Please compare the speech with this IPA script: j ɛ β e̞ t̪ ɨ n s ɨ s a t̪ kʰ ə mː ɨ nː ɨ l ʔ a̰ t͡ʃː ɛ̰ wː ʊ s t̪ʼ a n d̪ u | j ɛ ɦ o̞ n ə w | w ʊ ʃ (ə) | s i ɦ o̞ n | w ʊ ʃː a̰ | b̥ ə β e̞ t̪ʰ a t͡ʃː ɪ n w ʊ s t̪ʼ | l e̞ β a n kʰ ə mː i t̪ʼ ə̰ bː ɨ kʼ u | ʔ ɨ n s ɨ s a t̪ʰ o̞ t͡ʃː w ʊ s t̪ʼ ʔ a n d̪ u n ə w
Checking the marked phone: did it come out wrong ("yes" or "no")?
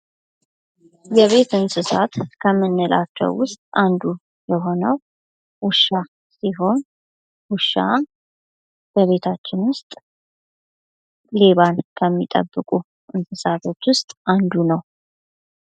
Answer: yes